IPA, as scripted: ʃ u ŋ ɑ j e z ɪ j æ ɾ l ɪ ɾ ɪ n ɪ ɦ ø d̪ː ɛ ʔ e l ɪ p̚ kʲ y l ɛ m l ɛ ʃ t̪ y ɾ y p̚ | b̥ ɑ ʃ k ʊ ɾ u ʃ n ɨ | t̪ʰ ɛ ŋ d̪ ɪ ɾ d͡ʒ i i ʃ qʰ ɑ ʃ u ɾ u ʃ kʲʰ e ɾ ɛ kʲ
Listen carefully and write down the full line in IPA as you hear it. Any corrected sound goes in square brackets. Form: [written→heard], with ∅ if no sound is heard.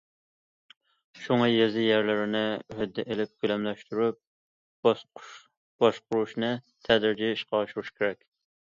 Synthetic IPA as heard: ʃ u ŋ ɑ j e z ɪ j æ ɾ l ɪ ɾ ɪ n ɪ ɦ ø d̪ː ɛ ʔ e l ɪ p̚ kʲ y l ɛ m l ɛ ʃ t̪ y ɾ y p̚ | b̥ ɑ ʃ [k→q] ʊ ɾ u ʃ n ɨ | t̪ʰ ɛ [ŋ→∅] d̪ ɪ ɾ d͡ʒ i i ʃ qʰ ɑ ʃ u ɾ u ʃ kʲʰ e ɾ ɛ kʲ